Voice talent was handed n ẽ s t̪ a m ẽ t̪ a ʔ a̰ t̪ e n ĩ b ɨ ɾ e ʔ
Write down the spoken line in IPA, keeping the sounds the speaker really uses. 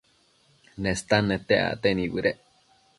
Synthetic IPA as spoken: n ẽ s t̪ a n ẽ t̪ e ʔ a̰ t̪ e n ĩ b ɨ ɾ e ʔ